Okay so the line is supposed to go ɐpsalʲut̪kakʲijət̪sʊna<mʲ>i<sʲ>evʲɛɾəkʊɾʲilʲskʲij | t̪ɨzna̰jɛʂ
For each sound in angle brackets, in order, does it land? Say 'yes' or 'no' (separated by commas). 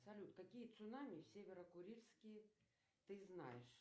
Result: yes, yes